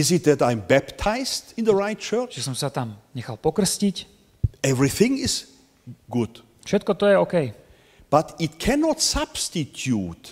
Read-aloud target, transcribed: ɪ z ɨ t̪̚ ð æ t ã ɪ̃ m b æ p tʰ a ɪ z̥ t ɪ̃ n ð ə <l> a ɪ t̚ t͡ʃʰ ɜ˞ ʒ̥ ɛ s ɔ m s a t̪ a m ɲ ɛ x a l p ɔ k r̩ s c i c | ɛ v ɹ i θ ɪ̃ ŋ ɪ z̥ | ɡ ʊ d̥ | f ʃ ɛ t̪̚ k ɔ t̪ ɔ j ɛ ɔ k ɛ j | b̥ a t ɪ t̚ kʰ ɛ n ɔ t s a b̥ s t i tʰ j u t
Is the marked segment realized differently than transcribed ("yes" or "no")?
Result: yes